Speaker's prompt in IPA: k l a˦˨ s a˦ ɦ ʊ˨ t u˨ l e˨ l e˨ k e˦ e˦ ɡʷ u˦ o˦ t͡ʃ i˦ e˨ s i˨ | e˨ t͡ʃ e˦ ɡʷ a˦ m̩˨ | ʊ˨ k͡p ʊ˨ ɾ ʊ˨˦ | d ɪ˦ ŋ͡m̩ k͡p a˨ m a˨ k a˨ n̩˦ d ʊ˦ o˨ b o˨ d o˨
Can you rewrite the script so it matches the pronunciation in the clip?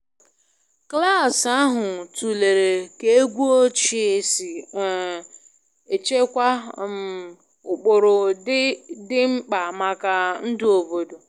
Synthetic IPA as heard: k l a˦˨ s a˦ ɦ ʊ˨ t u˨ l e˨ ɾ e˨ k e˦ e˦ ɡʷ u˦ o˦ t͡ʃ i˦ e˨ s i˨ | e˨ t͡ʃ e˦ kʷ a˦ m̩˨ | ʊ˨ k͡p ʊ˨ ɾ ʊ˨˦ | d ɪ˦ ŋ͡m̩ k͡p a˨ m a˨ k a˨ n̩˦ d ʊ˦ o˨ b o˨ d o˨

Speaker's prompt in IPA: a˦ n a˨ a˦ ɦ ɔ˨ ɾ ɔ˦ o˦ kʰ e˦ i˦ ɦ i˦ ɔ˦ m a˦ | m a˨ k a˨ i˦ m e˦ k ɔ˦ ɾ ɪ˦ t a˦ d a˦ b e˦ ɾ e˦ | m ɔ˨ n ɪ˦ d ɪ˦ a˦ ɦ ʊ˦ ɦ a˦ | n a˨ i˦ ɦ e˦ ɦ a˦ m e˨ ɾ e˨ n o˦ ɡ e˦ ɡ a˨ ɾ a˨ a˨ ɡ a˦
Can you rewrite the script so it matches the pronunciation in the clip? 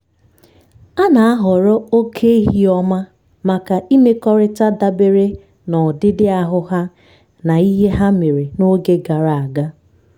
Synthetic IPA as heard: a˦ n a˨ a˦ ɦ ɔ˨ ɾ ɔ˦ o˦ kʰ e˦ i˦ ɦ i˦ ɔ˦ m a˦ | m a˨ k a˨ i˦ m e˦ k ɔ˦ ɾ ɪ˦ t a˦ d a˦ b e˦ ɾ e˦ | n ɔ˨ d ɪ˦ d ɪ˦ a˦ ɦ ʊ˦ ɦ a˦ | n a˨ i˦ ɦ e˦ ɦ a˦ m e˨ ɾ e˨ n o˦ ɡ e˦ ɡ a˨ ɾ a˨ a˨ ɡ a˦

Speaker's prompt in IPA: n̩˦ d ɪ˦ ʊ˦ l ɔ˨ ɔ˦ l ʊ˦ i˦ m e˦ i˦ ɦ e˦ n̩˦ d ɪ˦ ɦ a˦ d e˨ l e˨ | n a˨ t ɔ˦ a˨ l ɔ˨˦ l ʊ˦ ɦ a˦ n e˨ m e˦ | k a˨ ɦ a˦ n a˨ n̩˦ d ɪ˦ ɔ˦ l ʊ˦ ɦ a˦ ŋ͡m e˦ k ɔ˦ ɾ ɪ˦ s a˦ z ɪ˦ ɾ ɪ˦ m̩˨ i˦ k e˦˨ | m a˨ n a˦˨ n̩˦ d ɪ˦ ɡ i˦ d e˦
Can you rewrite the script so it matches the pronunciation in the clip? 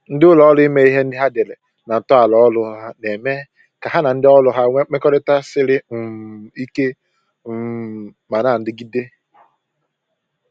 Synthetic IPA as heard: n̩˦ d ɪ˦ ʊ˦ l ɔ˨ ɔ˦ l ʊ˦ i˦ m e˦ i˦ ɦ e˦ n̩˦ d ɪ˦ ɦ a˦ d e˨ l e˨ | n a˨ t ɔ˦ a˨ l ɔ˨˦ l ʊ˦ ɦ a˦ n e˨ m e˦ | k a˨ ɦ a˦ n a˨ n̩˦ d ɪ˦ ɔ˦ l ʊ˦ ɦ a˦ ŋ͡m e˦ k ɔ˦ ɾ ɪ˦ t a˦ s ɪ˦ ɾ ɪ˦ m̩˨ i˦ k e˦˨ | m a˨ n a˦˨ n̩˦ d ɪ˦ ɡ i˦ d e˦

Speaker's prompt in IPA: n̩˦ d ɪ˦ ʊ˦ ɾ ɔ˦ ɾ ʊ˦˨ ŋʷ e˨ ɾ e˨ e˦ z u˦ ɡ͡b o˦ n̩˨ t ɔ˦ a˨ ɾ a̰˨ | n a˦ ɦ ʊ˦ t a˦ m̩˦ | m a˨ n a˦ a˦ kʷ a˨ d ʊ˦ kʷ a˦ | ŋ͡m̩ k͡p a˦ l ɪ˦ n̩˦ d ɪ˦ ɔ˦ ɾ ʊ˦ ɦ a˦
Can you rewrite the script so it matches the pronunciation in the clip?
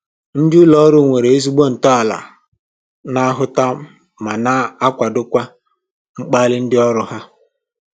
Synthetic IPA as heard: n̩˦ d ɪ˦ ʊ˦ l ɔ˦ ɾ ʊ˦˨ ŋʷ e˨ ɾ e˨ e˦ z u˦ ɡ͡b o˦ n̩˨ t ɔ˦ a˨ l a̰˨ | n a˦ ɦ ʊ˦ t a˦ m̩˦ | m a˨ n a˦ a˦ kʷ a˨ d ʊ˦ kʷ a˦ | ŋ͡m̩ k͡p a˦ l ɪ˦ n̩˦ d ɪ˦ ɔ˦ ɾ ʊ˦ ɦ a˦

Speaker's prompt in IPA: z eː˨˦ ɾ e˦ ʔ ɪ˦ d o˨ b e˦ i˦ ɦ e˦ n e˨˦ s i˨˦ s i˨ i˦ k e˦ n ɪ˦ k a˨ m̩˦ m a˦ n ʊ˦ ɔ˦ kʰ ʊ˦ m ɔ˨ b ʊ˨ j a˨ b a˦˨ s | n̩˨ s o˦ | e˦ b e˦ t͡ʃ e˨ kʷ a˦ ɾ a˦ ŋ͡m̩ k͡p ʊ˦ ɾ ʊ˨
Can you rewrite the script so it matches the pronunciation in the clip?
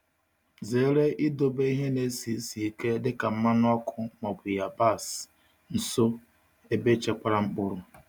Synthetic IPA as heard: z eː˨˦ ɾ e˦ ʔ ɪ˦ d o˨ b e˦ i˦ ɦ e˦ n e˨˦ s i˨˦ s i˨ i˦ k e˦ d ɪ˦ k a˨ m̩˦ m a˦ n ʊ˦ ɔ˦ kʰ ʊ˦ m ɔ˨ b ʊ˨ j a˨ b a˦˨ s | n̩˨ s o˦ | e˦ b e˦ t͡ʃ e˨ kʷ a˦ ɾ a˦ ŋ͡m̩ k͡p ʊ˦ ɾ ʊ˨

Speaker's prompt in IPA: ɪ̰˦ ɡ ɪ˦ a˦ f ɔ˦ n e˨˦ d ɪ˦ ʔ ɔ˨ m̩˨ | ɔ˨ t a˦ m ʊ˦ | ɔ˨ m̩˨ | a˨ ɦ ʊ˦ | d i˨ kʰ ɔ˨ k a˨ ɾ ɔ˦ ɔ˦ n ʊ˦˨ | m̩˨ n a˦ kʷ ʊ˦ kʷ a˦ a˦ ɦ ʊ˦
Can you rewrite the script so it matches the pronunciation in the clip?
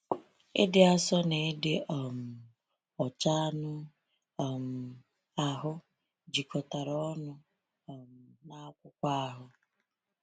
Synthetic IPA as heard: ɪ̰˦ d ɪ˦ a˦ s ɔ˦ n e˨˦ d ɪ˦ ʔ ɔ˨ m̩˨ | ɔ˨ t͡ʃ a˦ n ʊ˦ | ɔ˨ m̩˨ | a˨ ɦ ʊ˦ | d͡ʒ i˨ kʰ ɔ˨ t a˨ ɾ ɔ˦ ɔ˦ n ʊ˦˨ | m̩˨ n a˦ kʷ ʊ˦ kʷ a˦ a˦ ɦ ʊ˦

